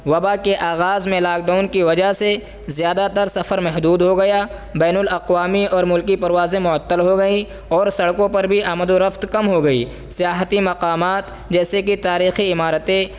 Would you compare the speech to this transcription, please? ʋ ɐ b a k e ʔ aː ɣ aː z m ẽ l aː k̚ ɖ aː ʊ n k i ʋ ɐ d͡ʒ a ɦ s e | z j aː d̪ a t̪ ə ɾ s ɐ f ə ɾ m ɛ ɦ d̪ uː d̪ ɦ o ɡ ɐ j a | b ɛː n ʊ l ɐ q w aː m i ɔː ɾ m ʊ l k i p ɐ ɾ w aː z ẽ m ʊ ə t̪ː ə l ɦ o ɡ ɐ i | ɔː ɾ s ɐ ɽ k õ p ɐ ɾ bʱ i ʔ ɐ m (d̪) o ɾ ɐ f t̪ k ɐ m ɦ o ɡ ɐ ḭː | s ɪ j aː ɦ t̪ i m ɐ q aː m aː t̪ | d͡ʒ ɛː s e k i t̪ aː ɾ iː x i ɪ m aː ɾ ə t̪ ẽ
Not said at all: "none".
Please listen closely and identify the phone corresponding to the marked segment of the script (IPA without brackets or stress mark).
d̪